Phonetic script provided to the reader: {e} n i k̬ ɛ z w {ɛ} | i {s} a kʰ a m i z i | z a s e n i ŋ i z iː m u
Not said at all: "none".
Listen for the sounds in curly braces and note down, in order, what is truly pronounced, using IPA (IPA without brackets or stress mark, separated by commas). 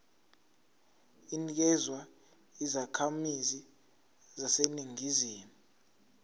i, a, z